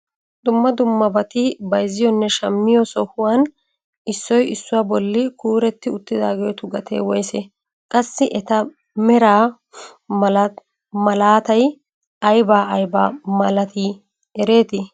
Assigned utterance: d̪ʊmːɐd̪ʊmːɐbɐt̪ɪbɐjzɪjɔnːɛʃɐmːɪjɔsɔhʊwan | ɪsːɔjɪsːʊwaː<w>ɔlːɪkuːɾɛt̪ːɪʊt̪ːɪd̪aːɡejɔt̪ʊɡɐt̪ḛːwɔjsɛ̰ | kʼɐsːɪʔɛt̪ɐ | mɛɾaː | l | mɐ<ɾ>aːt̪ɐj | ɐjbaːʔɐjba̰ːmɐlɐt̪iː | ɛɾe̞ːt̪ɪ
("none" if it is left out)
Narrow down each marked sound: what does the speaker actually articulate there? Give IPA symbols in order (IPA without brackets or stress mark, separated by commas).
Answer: b, l